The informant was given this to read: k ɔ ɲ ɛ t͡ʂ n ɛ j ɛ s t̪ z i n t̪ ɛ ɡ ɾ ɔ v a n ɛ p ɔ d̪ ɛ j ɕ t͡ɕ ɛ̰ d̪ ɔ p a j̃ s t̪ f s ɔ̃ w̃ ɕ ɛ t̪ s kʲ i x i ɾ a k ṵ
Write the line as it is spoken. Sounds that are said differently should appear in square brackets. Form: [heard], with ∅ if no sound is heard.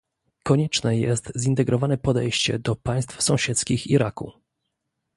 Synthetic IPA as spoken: k ɔ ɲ ɛ t͡ʂ n ɛ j ɛ s t̪ z i n t̪ ɛ ɡ ɾ ɔ v a n ɛ p ɔ d̪ ɛ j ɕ t͡ɕ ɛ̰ d̪ ɔ p a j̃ s t̪ f s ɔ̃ w̃ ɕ ɛ t̪ s kʲ i x i ɾ a k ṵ